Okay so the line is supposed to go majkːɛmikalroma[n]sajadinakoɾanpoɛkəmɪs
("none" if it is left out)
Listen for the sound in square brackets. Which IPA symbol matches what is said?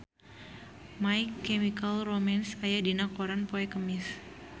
n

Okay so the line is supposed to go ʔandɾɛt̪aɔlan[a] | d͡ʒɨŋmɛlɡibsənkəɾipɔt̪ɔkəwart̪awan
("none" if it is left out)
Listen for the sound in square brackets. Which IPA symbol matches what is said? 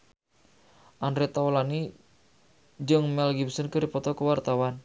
i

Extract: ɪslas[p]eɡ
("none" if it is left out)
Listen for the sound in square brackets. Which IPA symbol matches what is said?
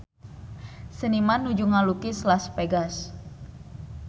p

